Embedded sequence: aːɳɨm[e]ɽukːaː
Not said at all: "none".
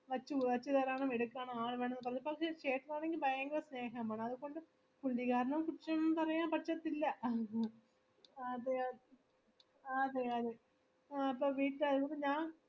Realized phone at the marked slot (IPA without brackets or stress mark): e